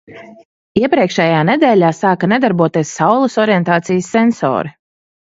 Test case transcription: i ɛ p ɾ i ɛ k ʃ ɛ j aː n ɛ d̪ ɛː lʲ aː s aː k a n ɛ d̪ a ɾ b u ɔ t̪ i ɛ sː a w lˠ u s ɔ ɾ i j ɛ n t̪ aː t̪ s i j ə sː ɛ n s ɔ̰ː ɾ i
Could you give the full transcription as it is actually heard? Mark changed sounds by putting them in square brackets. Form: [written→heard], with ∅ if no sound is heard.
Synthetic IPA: i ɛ p ɾ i ɛ k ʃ ɛ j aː n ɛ d̪ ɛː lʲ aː s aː k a n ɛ d̪ a ɾ b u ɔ t̪ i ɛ sː a w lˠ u s ɔ ɾ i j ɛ n t̪ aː t̪ s i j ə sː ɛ n s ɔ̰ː ɾ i

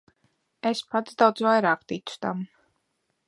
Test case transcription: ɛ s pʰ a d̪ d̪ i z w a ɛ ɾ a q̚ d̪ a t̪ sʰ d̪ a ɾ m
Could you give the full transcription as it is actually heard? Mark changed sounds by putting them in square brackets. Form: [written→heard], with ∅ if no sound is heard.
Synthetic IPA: ɛ s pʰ a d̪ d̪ [i→a] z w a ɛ ɾ a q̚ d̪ [a→i] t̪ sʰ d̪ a [ɾ→∅] m

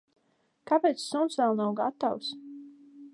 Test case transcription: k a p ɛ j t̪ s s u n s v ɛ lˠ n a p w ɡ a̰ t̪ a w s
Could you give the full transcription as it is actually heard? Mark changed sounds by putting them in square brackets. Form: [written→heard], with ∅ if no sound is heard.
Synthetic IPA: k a p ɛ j t̪ s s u n s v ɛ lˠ n a [p→∅] w ɡ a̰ t̪ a w s

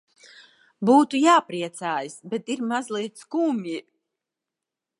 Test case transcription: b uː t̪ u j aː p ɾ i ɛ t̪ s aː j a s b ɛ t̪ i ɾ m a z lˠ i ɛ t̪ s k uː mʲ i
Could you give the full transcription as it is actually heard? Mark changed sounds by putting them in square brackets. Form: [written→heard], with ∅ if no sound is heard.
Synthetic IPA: b uː t̪ u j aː p ɾ i ɛ t̪ s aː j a s b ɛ t̪ i ɾ m a z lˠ i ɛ t̪ s k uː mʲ i

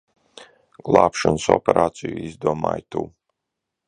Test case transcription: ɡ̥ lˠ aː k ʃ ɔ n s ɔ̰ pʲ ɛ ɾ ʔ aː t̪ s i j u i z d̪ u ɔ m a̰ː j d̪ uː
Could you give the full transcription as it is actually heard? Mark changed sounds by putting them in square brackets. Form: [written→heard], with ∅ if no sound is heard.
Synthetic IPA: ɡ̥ lˠ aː [k→p] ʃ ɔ n s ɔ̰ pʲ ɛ ɾ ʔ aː t̪ s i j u i z d̪ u ɔ m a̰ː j [d̪→t̪] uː

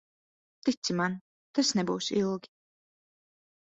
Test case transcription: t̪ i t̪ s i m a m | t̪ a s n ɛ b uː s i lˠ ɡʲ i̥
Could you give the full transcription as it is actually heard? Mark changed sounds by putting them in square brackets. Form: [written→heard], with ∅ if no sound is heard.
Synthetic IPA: t̪ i t̪ s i m a [m→n] | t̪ a s n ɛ b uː s i lˠ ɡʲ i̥

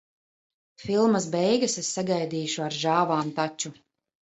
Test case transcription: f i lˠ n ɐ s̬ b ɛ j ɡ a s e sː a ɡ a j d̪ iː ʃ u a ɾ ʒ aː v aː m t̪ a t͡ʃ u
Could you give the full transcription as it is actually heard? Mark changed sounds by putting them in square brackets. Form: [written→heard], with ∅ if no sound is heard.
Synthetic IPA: f i lˠ [n→m] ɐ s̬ b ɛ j ɡ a s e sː a ɡ a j d̪ iː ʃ u a ɾ ʒ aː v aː m t̪ a t͡ʃ u

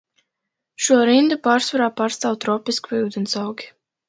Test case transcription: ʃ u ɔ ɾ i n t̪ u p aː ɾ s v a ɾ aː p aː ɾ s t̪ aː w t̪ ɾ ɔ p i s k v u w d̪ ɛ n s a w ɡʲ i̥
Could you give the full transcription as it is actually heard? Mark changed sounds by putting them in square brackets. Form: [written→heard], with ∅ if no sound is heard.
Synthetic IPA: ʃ u ɔ ɾ i n [t̪→d̪] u p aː ɾ s v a ɾ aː p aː ɾ s t̪ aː w t̪ ɾ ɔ p i s k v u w d̪ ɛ n s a w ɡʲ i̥

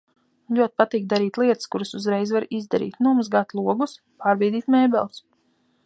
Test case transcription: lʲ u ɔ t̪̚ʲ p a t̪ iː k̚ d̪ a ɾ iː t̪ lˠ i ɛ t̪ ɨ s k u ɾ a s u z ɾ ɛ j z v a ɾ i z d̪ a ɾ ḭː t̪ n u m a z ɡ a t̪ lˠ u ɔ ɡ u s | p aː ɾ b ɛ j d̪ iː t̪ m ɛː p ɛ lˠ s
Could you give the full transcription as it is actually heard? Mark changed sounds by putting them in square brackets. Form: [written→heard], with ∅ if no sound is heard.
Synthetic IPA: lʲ u ɔ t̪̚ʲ p a t̪ iː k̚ d̪ a ɾ iː t̪ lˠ i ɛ t̪ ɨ s k u ɾ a s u z ɾ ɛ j z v a ɾ i z d̪ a ɾ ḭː t̪ n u m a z ɡ a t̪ lˠ u ɔ ɡ u s | p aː ɾ b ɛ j d̪ iː t̪ m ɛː [p→b] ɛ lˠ s

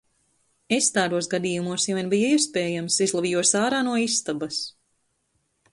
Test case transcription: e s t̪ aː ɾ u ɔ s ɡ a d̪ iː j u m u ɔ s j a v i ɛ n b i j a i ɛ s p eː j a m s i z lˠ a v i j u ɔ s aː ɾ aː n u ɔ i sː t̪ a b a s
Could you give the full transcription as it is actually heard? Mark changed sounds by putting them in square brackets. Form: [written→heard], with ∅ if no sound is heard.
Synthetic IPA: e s t̪ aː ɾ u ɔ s ɡ a d̪ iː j u m u ɔ s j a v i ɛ n b i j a i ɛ s p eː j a m s i z lˠ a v i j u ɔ s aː ɾ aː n u ɔ i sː t̪ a b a s

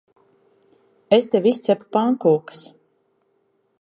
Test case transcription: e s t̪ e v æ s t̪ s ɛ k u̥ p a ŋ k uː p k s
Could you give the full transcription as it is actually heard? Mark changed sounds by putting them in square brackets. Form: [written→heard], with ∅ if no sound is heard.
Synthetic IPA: e s t̪ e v [æ→i] s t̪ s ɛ [k→p] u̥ p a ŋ k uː [p→∅] k s

